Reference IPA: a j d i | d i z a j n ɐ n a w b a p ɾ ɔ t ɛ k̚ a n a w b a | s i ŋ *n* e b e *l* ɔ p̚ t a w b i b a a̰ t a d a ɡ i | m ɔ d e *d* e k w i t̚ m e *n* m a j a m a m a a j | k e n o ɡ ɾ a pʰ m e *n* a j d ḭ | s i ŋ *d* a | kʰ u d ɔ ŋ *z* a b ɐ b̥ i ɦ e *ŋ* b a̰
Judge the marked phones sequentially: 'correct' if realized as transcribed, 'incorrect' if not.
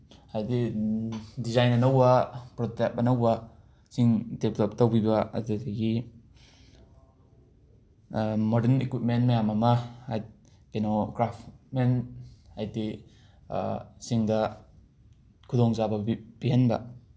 incorrect: d, correct, incorrect: n, correct, correct, correct, correct, incorrect: n

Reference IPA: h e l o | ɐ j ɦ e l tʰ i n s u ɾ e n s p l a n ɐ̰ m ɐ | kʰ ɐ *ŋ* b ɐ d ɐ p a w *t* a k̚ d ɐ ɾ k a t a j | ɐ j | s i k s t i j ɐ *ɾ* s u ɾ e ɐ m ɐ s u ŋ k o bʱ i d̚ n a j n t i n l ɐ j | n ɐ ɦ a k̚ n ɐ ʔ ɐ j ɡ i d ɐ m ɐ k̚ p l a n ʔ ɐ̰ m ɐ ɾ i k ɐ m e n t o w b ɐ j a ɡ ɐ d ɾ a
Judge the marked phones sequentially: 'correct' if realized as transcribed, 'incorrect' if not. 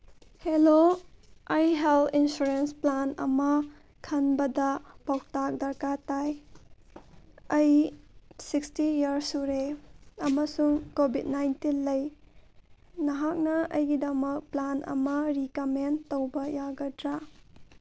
incorrect: n, correct, correct

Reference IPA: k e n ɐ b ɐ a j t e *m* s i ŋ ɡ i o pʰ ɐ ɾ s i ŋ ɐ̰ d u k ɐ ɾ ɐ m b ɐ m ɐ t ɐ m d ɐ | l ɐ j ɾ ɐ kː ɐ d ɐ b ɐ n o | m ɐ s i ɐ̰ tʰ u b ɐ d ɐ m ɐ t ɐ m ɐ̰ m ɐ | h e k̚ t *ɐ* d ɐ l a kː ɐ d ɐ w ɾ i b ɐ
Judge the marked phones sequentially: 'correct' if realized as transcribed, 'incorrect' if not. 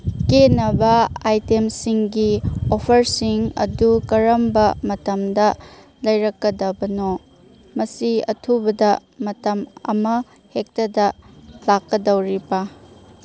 correct, correct

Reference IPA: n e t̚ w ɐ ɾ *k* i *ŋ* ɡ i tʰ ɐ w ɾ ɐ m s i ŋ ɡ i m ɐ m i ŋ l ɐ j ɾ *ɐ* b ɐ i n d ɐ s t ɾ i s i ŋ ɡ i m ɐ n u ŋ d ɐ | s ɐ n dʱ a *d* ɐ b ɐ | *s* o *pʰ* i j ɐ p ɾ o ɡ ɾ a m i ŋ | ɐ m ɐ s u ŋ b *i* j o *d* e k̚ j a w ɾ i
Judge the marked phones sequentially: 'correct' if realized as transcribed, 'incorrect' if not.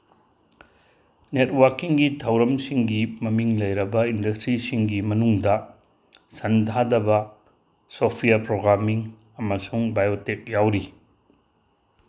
correct, correct, correct, correct, correct, correct, incorrect: a, incorrect: t

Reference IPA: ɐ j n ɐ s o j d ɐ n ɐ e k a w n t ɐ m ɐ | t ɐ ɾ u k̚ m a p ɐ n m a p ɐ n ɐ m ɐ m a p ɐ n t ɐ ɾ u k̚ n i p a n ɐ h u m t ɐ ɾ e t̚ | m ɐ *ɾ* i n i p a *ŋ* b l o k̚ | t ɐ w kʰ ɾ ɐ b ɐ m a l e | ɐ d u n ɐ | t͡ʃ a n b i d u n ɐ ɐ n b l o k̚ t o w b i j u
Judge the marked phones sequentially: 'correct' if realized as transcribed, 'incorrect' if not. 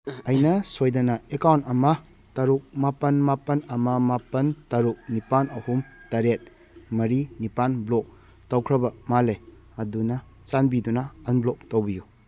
correct, incorrect: n

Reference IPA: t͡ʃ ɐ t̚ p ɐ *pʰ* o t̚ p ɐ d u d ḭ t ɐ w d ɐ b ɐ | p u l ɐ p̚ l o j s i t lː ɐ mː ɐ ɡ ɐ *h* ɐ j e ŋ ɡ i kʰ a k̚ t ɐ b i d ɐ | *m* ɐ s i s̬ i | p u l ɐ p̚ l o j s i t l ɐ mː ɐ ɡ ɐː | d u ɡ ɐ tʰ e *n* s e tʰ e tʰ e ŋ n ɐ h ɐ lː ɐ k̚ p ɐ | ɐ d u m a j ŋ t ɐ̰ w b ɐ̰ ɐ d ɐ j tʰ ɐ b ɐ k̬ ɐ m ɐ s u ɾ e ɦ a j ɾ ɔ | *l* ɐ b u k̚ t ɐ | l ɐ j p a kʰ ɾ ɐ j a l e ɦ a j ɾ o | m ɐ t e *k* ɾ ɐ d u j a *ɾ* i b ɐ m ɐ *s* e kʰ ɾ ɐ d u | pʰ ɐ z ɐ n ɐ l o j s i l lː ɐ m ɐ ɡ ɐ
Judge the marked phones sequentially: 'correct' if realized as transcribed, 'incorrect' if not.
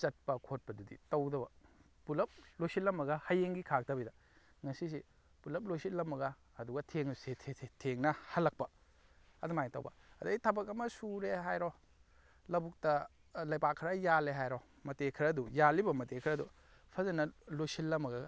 incorrect: kʰ, correct, incorrect: ŋ, incorrect: ŋ, correct, incorrect: kʰ, incorrect: l, incorrect: t

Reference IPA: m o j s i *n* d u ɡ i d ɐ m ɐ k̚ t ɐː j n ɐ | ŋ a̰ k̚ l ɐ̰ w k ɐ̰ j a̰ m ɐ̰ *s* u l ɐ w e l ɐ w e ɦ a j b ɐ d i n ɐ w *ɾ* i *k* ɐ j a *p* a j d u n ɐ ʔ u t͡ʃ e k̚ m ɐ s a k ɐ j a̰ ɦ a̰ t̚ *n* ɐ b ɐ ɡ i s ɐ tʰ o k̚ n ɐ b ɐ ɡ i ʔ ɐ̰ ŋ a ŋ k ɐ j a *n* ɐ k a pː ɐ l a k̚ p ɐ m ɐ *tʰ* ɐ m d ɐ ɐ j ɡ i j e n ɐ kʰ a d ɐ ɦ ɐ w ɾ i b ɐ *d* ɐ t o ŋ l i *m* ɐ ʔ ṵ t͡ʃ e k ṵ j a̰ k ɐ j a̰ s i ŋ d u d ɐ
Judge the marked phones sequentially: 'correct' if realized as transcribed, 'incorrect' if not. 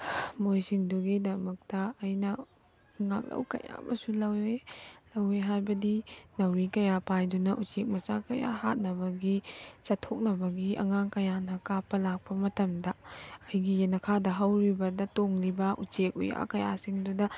incorrect: ŋ, correct, correct, correct, correct, correct, correct, incorrect: t, correct, incorrect: b

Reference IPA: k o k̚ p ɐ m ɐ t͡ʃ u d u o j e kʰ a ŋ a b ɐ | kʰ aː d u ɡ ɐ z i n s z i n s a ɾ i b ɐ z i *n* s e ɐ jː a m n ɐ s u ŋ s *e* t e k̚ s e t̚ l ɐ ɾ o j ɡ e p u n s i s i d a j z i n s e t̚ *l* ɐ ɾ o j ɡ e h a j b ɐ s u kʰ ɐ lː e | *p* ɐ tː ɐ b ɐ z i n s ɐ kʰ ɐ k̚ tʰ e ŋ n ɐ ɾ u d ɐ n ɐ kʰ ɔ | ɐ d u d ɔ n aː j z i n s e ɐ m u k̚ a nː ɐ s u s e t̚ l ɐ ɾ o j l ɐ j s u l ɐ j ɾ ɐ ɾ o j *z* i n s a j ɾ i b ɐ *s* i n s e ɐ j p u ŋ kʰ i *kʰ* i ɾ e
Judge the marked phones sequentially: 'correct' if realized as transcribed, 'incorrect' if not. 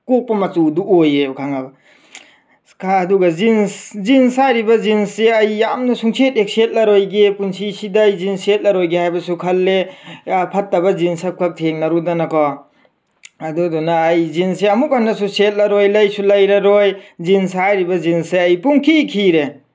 correct, correct, correct, incorrect: pʰ, correct, incorrect: z, correct

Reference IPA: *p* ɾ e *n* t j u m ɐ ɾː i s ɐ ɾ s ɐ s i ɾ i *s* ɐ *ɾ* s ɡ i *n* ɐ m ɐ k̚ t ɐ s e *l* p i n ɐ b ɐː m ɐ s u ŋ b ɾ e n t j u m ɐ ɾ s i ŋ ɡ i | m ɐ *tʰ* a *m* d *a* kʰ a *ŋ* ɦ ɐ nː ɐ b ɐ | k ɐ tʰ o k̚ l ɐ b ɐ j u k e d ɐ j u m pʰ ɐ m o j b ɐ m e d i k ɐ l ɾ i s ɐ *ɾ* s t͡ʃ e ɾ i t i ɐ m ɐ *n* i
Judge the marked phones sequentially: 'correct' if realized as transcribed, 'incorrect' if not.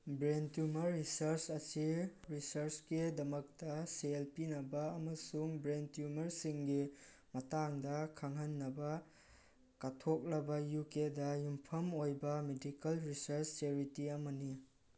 incorrect: b, correct, correct, correct, incorrect: d, correct, incorrect: t, incorrect: ŋ, incorrect: ɐ, correct, correct, correct

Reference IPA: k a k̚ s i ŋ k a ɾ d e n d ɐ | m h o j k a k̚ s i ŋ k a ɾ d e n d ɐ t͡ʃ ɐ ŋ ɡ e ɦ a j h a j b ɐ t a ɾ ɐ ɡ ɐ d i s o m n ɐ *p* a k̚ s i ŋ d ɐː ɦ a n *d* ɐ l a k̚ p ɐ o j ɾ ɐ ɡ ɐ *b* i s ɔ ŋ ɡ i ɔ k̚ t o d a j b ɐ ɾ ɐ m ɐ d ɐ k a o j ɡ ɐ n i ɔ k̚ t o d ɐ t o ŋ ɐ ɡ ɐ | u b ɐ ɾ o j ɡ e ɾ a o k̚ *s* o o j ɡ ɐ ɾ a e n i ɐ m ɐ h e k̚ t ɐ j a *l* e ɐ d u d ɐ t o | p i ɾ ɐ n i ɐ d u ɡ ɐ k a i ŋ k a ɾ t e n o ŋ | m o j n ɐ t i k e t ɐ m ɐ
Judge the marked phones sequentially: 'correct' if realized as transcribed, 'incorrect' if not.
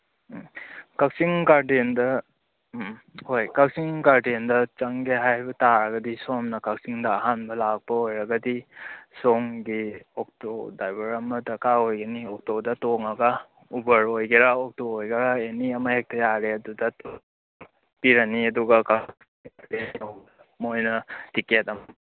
incorrect: k, incorrect: b, incorrect: d, incorrect: t, incorrect: ɾ

